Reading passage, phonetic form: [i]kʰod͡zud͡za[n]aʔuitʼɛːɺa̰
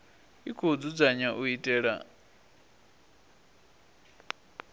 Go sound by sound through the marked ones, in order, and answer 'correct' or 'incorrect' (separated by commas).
correct, incorrect